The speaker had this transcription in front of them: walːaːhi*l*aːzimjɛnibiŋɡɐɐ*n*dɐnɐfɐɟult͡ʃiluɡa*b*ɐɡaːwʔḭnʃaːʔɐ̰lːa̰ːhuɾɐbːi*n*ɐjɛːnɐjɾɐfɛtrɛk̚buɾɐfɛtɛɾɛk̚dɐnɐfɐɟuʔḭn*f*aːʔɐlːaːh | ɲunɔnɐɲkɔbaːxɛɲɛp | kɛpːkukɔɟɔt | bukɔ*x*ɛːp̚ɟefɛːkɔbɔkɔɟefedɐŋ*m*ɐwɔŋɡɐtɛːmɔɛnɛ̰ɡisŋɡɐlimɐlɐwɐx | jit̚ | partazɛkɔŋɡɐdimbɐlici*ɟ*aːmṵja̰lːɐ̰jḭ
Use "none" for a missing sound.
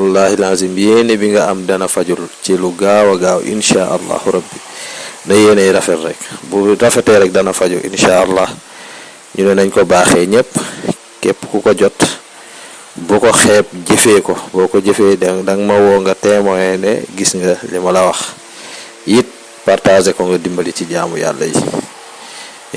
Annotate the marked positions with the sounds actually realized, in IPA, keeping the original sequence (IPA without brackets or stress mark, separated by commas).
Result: l, m, w, n, ʃ, x, m, ɟ